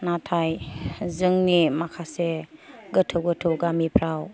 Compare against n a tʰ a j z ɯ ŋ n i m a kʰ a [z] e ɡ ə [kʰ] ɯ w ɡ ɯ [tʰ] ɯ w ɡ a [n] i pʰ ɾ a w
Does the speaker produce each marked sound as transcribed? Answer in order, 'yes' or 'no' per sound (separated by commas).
no, no, yes, no